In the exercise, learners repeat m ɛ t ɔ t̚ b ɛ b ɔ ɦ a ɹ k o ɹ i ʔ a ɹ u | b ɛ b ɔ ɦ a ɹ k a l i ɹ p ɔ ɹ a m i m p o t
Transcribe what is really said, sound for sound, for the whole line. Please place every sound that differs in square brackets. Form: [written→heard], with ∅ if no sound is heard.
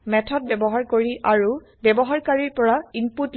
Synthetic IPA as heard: m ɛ [t→tʰ] ɔ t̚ b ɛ b ɔ ɦ a ɹ k o ɹ i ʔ a ɹ u | b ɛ b ɔ ɦ a ɹ k a [l→ɹ] i ɹ p ɔ ɹ a [m→∅] i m p [o→u] t

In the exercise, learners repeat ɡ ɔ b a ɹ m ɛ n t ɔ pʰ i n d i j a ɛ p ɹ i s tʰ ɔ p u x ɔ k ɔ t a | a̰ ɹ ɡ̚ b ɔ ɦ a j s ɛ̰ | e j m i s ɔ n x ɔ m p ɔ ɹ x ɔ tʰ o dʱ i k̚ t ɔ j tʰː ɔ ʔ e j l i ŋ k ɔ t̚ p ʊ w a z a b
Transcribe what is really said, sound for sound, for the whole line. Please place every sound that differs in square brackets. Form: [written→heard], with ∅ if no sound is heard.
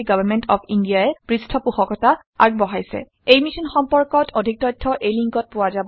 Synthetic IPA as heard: ɡ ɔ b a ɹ m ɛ n t ɔ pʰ i n d i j a ɛ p ɹ i s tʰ ɔ p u x ɔ k ɔ t a | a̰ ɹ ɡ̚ b ɔ ɦ a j s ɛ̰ | e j m i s ɔ n x ɔ m p ɔ ɹ [x→k] ɔ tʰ o dʱ i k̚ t ɔ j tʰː ɔ ʔ e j l i ŋ k ɔ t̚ p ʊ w a z a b

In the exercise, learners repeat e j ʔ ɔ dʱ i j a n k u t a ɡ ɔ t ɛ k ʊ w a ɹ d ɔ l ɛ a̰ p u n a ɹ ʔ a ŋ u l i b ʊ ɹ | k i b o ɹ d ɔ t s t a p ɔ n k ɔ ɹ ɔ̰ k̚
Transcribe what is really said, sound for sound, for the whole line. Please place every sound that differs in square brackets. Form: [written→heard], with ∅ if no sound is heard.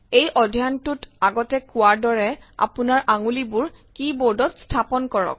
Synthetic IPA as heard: e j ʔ ɔ dʱ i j a n [k→t] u t a ɡ ɔ t ɛ k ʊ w a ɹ d ɔ [l→ɹ] ɛ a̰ p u n a ɹ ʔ a ŋ u l i b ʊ ɹ | k i b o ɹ d ɔ t s [t→tʰ] a p ɔ n k ɔ ɹ ɔ̰ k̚

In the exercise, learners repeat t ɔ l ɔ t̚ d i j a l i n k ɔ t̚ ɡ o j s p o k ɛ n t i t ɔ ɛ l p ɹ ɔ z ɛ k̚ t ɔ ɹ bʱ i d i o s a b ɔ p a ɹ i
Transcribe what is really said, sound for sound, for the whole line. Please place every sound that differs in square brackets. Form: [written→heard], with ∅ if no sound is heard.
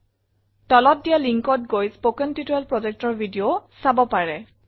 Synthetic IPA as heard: t ɔ l ɔ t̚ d i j a l i [n→ŋ] k ɔ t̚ ɡ o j s p o k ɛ n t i t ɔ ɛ l p ɹ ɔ z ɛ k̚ t ɔ ɹ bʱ i d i o s a b ɔ p a ɹ [i→ɛ]

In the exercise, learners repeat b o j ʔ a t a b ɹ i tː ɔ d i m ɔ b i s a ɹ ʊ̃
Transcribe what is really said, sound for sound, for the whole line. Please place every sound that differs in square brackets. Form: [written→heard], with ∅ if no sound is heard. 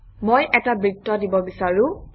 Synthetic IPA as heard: [b→m] o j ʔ [a→ɛ] t a b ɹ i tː ɔ d i [m→b] ɔ b i s a ɹ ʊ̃

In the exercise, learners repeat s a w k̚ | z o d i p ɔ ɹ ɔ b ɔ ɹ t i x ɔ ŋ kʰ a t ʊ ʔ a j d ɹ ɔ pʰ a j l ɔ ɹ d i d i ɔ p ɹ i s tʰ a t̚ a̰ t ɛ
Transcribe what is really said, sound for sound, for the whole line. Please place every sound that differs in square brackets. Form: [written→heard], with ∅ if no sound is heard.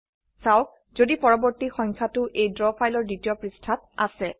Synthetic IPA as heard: s a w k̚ | z o d i p ɔ ɹ ɔ b ɔ ɹ t i x ɔ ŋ kʰ a t ʊ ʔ [a→e] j d ɹ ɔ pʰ a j l ɔ ɹ d i [d→t] i ɔ p ɹ i s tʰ a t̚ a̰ [t→s] ɛ

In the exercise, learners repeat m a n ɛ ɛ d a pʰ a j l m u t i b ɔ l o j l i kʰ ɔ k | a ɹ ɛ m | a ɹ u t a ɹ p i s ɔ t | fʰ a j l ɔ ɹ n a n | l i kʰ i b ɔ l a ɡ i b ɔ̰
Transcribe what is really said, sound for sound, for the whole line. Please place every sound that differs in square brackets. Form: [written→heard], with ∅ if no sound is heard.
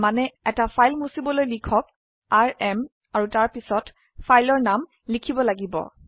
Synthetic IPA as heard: m a n ɛ ɛ [d→t] a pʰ a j l m u [t→s] i b ɔ l o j l i kʰ ɔ k | a ɹ ɛ m | a ɹ u t a ɹ p i s ɔ t | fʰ a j l ɔ ɹ n a [n→m] | l i kʰ i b ɔ l a ɡ i b ɔ̰

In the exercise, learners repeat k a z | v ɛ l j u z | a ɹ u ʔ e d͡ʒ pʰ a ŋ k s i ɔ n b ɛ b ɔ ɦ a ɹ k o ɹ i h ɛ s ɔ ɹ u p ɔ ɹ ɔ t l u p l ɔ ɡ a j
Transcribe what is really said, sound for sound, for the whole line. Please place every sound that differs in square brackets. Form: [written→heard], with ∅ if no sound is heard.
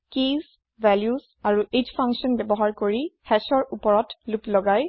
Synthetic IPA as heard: k [a→i] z | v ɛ l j u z | a ɹ u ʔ e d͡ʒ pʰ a ŋ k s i ɔ n b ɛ b ɔ ɦ a ɹ k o ɹ i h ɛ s ɔ ɹ u p ɔ ɹ ɔ t l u p l ɔ ɡ a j

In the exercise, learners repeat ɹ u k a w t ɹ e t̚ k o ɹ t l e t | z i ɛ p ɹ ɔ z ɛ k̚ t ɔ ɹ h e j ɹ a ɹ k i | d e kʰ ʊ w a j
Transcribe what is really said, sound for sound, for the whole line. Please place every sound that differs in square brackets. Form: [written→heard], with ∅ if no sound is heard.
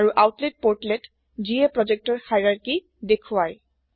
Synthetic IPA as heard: ɹ u [k→ʔ] a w t [ɹ→l] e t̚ [k→p] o ɹ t l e t | z i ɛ p ɹ ɔ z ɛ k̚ t ɔ ɹ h [e→a] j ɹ a ɹ k i | d e kʰ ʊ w a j

